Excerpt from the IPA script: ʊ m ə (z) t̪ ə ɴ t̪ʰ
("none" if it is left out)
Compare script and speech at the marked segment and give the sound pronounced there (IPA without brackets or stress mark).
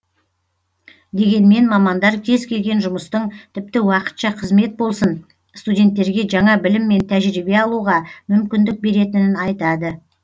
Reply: s